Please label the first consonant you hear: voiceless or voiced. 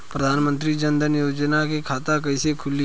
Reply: voiceless